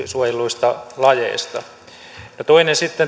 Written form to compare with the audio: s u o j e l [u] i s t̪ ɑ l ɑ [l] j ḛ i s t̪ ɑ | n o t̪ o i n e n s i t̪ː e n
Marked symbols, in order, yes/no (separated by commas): yes, no